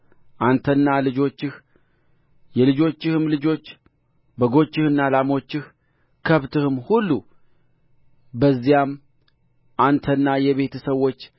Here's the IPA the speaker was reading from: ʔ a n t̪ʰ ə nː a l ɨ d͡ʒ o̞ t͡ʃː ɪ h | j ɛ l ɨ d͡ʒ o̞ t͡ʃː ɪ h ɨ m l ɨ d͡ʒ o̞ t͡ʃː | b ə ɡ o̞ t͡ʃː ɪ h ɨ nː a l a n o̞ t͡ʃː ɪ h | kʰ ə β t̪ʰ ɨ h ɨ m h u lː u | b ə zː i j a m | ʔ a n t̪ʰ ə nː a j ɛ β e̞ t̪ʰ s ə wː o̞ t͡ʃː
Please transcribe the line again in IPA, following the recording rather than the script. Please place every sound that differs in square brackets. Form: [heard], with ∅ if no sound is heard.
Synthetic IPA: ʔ a n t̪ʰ ə nː a l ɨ d͡ʒ o̞ t͡ʃː ɪ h | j ɛ l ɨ d͡ʒ o̞ t͡ʃː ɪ h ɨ m l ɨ d͡ʒ o̞ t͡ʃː | b ə ɡ o̞ t͡ʃː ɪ h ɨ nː a l a [m] o̞ t͡ʃː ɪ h | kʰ ə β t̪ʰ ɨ h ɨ m h u lː u | b ə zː i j a m | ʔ a n t̪ʰ ə nː a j ɛ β e̞ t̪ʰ s ə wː o̞ t͡ʃː